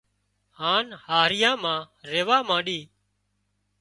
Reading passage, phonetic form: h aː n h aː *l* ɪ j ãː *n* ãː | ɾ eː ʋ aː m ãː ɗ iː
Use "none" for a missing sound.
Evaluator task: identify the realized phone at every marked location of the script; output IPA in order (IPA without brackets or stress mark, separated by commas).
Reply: ɾ, m